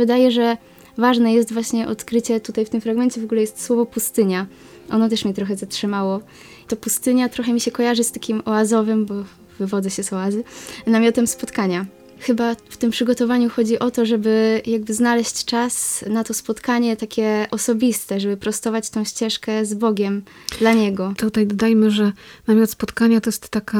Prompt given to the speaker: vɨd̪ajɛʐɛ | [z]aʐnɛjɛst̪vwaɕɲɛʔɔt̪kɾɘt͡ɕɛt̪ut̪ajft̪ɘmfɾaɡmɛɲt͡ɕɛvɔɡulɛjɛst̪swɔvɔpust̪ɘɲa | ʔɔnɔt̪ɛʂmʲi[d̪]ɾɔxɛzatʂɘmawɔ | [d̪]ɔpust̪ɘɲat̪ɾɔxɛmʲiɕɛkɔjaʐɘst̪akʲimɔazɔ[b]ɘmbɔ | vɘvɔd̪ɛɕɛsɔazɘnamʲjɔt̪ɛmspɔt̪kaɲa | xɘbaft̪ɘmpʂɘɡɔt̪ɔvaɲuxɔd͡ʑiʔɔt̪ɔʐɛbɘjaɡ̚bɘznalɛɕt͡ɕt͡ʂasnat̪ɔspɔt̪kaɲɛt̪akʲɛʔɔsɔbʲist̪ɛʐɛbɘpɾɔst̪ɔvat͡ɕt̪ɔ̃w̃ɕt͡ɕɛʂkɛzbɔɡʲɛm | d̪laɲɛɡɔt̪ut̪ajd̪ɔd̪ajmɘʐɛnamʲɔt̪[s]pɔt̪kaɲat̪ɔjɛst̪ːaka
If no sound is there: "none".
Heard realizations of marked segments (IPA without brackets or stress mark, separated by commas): v, t̪, t̪, v, s